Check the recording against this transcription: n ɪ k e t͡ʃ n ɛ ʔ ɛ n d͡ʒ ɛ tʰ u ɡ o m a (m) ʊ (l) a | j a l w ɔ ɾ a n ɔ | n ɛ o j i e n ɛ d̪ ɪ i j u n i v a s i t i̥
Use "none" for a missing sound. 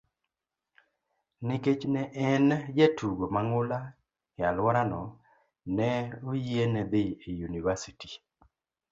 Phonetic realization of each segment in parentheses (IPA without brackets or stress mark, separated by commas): ŋ, l